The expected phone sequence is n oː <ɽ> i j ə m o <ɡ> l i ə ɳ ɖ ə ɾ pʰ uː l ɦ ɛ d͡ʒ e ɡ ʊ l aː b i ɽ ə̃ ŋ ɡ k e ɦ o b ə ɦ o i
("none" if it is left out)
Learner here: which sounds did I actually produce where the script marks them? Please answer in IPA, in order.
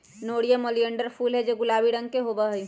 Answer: ɽ, none

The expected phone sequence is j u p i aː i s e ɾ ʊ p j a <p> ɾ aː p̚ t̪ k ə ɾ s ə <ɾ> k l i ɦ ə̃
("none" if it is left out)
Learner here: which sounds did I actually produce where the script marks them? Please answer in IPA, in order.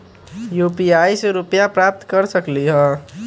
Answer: p, none

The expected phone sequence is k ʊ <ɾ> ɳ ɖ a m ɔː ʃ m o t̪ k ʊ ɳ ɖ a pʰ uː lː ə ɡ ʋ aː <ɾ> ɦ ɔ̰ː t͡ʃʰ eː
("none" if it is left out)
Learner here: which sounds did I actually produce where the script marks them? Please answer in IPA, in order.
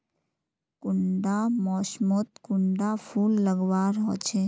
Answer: none, ɾ

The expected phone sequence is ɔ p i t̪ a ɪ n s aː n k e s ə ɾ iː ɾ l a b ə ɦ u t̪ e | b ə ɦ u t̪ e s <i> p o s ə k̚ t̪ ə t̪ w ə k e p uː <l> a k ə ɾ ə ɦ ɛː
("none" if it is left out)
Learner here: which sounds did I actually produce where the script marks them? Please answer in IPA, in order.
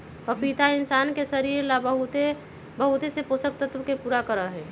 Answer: e, ɾ

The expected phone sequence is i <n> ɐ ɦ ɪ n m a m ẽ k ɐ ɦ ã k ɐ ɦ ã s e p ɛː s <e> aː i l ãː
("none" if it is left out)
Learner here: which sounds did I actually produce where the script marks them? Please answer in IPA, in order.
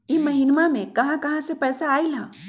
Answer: m, a

